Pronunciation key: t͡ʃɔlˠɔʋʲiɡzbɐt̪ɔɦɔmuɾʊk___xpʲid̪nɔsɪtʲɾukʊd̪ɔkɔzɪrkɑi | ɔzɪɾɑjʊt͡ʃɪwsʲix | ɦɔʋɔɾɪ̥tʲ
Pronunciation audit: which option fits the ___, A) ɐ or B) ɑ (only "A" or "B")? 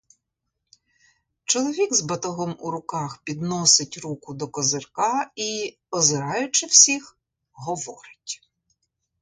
B